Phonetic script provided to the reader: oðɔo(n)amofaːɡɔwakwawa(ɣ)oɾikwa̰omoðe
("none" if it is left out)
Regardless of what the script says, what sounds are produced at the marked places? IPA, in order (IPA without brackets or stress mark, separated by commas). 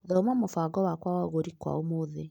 m, ɣ